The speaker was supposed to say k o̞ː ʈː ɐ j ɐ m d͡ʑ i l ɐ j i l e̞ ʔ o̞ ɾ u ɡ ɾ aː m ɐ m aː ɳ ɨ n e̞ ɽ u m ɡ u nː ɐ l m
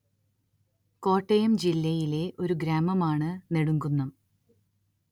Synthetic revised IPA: k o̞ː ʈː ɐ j ɐ m d͡ʑ i lː ɐ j i l e̞ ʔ o̞ ɾ u ɡ ɾ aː m ɐ m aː ɳ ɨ n e̞ ɽ u ŋ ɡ u nː ɐ m